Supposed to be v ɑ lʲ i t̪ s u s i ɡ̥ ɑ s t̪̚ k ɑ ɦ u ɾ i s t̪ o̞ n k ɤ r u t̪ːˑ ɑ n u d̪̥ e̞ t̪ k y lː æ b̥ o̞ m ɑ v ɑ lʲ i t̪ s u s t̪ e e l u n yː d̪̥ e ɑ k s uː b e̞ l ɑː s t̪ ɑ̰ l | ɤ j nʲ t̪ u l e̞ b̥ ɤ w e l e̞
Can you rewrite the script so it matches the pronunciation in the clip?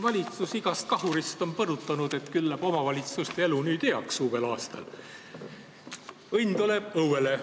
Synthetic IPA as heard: v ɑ lʲ i t̪ s u s i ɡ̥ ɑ s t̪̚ k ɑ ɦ u ɾ i s t̪ o̞ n p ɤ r u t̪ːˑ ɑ n u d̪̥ e̞ t̪ k y lː æ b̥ o̞ m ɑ v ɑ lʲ i t̪ s u s t̪ e e l u n yː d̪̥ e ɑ k s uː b e̞ l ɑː s t̪ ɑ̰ l | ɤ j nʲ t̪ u l e̞ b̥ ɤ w e l e̞